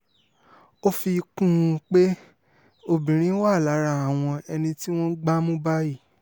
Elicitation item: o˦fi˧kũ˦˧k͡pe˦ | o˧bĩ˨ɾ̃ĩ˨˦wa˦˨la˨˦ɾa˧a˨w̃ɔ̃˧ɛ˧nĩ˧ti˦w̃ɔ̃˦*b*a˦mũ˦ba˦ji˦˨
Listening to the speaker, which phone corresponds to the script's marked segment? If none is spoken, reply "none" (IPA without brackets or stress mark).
ɡ͡b